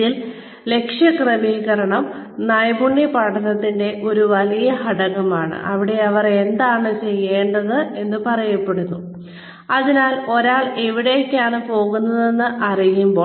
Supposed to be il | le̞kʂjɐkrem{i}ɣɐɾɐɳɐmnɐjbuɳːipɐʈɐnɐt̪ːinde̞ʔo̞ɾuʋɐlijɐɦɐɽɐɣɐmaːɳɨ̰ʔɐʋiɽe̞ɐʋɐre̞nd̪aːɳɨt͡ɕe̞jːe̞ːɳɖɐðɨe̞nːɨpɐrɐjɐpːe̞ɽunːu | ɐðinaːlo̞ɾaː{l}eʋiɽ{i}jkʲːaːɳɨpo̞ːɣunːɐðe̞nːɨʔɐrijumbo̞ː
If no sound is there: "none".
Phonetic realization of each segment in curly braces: iː, ɭ, e

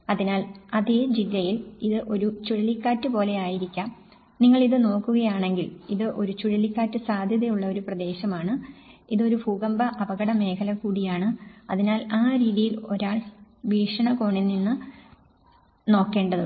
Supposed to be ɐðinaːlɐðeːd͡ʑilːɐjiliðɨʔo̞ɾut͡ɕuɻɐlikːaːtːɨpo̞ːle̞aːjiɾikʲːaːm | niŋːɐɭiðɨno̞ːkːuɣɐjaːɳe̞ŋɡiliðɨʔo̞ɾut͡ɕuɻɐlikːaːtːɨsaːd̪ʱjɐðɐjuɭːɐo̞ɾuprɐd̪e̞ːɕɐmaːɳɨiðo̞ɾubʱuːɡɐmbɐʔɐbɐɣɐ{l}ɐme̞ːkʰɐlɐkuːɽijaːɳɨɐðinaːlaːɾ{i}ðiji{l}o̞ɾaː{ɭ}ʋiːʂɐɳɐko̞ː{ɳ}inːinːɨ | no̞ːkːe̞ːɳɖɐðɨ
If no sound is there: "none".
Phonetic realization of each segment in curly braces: ɽ, iː, l, ɭ, ɳ

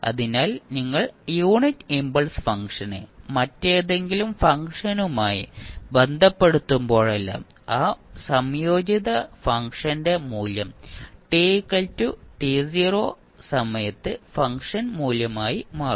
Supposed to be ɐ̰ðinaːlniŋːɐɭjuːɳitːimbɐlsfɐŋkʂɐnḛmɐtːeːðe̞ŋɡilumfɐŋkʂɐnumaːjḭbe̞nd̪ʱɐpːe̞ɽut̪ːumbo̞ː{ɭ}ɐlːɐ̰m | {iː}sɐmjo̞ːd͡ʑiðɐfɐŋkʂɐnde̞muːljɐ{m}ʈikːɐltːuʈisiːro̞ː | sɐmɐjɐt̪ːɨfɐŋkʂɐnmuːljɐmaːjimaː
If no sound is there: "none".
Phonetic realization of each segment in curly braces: ɭ, aː, m

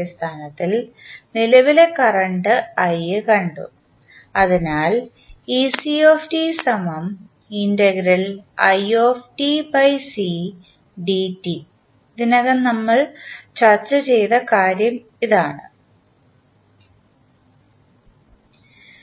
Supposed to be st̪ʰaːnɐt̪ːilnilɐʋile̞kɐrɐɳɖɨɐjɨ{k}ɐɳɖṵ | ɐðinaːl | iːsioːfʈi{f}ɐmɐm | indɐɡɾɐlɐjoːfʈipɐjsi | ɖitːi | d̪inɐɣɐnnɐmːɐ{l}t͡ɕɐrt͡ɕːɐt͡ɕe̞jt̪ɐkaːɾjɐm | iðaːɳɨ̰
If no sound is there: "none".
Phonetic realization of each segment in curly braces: k, s, ɭ

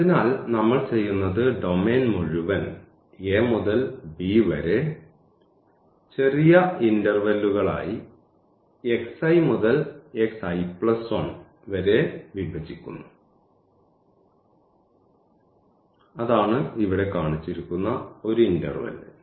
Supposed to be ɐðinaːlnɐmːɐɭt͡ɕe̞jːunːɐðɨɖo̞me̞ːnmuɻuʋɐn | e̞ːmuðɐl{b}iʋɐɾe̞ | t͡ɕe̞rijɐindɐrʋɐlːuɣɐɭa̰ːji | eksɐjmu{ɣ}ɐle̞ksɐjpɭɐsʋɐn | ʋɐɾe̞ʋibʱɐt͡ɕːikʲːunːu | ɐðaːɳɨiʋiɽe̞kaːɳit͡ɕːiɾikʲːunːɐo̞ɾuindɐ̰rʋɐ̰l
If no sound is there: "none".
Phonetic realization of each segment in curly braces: b, ð

